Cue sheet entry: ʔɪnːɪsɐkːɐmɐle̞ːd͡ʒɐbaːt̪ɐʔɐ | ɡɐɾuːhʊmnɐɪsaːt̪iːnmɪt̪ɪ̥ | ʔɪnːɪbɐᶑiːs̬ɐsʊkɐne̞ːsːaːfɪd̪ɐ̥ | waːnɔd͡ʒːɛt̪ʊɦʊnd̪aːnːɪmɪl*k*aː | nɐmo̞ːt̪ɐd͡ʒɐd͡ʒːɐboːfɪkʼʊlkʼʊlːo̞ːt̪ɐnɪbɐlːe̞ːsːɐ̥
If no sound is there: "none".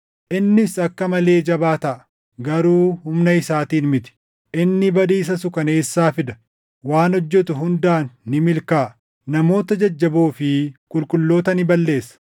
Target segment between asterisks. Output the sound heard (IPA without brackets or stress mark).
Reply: k